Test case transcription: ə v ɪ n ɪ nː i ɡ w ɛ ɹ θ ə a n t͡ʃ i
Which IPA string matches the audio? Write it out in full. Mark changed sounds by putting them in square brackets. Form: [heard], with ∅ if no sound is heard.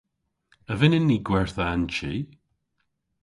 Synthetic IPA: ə v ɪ n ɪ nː i ɡ w ɛ ɹ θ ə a n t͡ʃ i